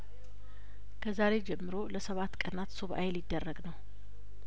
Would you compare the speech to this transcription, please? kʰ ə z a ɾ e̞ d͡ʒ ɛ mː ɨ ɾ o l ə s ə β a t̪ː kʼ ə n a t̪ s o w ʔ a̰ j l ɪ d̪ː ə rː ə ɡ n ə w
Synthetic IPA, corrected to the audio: kʰ ə z a ɾ e̞ d͡ʒ ɛ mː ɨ ɾ o l ə s ə β a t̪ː kʼ ə n a t̪ s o β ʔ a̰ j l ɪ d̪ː ə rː ə ɡ n ə w